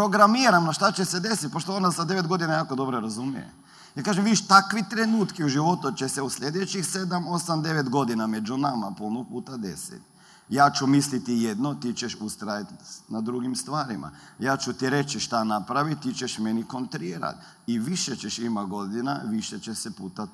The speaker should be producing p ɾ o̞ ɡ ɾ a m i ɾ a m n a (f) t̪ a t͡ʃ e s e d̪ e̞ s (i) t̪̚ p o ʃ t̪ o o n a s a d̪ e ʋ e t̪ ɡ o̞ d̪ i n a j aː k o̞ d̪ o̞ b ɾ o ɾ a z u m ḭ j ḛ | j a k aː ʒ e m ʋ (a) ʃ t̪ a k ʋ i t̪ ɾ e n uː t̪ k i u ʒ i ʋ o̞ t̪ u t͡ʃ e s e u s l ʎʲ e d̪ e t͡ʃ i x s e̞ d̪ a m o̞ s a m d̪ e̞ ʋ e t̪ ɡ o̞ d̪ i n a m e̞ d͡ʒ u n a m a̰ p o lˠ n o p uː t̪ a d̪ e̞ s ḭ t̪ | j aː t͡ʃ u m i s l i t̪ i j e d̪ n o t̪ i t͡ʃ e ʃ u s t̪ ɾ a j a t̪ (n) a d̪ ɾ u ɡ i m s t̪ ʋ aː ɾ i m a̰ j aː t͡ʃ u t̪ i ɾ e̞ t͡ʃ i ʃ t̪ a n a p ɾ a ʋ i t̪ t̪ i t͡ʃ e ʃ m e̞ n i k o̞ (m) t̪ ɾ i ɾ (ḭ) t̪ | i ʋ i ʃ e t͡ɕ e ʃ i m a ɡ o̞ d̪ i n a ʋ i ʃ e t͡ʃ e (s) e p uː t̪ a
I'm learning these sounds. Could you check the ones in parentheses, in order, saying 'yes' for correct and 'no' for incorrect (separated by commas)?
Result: no, yes, no, yes, no, no, yes